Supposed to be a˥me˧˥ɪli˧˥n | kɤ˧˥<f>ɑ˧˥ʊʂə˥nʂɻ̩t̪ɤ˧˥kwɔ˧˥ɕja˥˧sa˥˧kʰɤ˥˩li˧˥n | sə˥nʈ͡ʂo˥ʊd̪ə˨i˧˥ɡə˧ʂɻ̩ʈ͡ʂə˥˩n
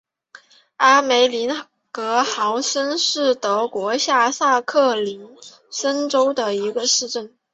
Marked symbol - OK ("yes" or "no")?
no